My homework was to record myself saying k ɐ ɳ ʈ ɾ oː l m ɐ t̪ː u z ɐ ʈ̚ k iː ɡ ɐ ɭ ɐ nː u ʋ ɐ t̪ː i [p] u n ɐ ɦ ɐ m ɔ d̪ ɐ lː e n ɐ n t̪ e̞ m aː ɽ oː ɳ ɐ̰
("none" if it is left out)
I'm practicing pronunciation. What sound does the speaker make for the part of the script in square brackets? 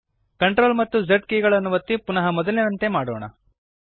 p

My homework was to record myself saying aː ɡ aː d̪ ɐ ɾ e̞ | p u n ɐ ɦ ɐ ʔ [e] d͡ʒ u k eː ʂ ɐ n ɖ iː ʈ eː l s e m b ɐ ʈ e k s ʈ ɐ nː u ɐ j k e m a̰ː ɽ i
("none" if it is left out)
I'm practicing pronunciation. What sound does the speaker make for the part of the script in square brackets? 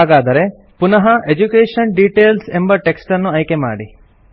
e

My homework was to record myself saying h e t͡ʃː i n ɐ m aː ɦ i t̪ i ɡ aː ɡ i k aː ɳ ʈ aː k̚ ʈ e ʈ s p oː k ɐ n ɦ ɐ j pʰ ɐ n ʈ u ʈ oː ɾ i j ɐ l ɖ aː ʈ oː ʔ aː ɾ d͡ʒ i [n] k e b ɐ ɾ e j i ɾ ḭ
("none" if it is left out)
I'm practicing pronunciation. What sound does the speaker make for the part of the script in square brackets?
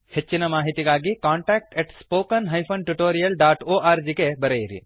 none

